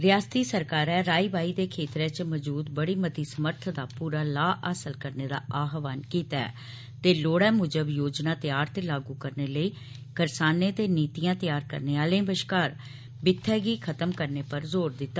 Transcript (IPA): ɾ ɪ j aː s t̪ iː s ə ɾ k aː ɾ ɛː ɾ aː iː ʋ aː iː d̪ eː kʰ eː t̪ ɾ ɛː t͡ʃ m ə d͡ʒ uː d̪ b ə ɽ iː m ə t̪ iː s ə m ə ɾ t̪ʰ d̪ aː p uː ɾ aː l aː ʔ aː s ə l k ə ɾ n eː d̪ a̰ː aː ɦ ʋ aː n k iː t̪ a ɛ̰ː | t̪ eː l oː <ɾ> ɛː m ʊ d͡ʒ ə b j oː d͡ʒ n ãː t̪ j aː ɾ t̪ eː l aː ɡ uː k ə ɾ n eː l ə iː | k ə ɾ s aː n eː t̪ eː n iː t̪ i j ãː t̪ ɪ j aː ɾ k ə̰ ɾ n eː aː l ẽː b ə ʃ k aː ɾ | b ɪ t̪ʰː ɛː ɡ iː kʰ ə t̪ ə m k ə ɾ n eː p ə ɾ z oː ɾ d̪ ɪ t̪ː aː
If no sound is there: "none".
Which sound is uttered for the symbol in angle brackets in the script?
ɽ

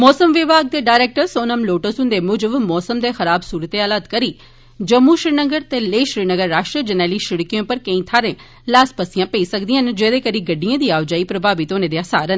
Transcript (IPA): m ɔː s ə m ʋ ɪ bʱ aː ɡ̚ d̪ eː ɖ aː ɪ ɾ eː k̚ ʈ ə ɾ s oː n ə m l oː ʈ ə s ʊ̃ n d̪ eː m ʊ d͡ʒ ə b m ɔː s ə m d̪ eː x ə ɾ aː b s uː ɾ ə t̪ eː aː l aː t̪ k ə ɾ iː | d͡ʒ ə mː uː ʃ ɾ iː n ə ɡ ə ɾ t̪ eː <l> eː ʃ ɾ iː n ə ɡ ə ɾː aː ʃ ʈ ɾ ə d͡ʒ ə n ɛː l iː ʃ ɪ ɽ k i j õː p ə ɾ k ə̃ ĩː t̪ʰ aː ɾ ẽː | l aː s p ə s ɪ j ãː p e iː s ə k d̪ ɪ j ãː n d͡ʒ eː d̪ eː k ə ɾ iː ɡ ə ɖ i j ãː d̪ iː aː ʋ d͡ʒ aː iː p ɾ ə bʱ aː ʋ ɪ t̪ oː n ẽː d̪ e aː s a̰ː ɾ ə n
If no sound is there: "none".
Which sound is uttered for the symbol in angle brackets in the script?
l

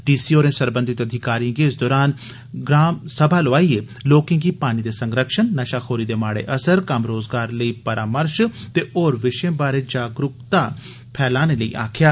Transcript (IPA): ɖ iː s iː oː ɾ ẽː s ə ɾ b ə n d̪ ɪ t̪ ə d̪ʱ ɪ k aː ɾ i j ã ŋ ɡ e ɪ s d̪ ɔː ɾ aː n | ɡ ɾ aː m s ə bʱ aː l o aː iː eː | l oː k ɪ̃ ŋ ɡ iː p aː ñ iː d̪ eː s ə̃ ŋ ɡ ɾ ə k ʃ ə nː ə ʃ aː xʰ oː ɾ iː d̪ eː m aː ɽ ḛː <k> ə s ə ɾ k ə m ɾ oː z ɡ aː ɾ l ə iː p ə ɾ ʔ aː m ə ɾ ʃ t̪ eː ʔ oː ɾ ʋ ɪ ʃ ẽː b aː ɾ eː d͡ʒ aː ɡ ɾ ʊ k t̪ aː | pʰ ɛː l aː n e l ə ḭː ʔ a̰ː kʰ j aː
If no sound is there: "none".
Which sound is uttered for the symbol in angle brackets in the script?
ʔ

